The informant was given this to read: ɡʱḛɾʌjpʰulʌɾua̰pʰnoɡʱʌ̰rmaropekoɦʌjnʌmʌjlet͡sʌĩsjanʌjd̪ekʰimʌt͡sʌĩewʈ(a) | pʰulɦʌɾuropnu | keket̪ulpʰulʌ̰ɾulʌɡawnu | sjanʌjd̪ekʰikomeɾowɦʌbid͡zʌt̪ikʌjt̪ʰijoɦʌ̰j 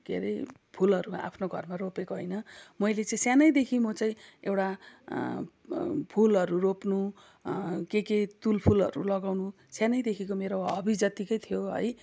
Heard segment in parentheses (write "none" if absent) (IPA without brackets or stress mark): a